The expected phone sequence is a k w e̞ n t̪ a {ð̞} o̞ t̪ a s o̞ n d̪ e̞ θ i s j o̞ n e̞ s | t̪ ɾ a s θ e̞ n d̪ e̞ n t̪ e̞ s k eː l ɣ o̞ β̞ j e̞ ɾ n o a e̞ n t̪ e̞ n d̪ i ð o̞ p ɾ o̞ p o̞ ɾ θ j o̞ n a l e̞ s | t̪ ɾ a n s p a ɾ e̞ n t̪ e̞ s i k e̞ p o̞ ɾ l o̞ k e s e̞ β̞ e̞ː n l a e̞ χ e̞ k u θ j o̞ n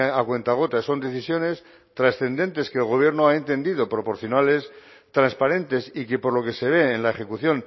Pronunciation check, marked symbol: incorrect: ɣ̞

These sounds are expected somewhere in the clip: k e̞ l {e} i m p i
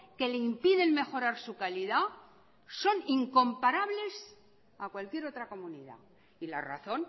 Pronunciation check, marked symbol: correct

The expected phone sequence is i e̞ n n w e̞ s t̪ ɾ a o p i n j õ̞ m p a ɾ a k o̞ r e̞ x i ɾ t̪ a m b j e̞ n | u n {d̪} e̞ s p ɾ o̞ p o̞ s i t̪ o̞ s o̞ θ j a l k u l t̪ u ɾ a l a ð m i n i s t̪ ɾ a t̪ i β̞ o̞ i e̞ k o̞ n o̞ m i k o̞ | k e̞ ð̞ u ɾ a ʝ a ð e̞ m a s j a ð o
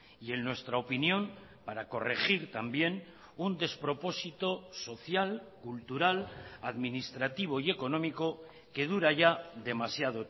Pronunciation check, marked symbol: correct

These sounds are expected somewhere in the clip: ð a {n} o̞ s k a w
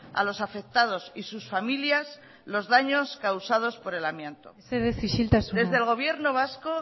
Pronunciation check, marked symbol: incorrect: ɲ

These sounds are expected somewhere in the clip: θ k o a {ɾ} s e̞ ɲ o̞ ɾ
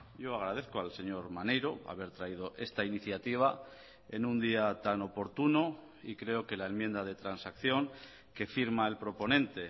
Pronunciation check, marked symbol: incorrect: l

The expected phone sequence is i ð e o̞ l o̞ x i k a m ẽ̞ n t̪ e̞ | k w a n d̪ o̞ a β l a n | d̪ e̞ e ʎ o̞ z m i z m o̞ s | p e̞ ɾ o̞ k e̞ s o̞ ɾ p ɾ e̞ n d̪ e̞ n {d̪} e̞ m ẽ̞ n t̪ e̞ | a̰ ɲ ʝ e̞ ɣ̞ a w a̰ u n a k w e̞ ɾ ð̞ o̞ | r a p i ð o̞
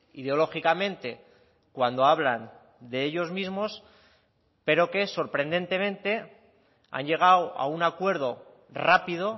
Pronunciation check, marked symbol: incorrect: t̪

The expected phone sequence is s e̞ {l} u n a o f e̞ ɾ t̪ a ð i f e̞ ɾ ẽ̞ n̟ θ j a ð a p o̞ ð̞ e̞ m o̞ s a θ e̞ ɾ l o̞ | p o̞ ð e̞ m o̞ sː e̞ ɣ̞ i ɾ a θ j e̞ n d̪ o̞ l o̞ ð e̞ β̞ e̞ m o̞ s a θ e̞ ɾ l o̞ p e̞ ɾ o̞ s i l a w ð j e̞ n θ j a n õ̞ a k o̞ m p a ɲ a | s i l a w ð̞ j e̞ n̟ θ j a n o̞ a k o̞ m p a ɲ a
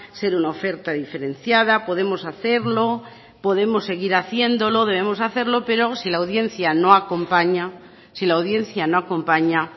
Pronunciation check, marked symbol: incorrect: ɾ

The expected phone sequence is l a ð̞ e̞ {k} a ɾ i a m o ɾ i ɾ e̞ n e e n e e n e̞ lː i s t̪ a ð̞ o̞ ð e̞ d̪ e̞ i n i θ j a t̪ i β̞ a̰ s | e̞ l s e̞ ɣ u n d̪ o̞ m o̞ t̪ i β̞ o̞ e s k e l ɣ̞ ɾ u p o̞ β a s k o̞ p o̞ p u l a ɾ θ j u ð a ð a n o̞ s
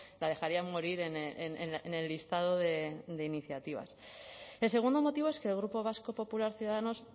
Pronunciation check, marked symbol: incorrect: x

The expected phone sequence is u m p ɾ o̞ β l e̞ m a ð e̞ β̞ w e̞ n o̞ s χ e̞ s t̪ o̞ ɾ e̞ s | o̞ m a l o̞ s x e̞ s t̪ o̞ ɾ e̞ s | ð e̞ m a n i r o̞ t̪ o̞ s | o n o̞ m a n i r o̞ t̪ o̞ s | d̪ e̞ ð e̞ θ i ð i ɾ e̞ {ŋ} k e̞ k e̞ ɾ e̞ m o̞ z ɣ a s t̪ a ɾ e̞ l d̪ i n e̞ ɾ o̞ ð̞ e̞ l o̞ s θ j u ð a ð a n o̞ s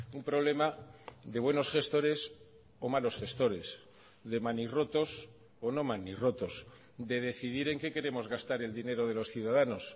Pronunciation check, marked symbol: correct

